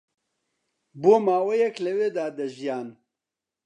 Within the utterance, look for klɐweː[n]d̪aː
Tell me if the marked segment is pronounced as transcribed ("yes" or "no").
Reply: no